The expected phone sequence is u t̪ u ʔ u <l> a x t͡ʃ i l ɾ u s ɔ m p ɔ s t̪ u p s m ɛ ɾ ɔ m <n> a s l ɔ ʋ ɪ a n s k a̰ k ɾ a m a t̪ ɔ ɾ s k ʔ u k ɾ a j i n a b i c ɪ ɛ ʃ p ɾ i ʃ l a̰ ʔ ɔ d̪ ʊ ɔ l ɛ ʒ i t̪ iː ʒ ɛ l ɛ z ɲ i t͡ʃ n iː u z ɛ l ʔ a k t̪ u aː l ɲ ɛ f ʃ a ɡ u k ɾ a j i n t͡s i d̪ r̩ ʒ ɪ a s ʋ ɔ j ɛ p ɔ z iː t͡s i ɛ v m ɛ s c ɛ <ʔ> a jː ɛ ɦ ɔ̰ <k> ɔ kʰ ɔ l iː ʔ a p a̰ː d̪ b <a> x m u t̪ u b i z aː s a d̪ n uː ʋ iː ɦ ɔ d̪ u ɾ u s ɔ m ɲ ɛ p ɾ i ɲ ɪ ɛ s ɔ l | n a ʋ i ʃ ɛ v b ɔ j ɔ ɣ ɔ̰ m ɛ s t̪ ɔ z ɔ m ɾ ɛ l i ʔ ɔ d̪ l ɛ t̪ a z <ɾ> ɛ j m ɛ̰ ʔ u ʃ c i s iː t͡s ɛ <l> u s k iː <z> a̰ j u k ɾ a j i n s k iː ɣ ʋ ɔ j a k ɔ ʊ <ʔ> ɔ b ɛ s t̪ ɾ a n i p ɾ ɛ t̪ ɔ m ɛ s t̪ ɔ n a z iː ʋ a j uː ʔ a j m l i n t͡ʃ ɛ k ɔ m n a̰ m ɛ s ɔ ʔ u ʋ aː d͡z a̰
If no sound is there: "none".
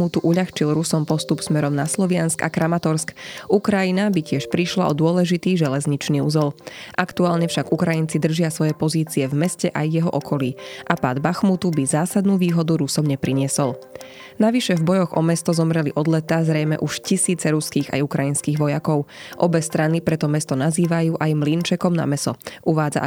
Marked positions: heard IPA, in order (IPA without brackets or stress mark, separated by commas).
ʎ, n, ʔ, ʔ, a, ɾ, ɾ, ɣ, ʔ